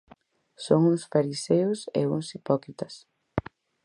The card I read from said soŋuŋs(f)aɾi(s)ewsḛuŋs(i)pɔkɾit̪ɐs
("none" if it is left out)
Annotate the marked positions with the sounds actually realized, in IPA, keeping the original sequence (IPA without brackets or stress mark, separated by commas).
f, s, i